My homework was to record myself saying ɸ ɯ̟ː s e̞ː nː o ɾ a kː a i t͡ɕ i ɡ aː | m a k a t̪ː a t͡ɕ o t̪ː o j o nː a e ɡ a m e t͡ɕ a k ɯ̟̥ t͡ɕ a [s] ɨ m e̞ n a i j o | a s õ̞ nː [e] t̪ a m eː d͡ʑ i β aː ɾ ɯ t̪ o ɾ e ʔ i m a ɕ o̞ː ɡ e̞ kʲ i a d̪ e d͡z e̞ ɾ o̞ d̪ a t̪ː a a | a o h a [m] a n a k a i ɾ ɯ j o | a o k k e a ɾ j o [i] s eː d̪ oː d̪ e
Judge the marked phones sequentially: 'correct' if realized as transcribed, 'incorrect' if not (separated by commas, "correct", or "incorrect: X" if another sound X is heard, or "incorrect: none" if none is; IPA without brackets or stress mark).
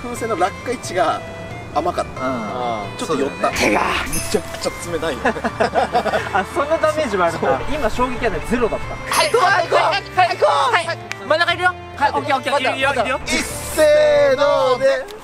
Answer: incorrect: t͡s, incorrect: a, correct, correct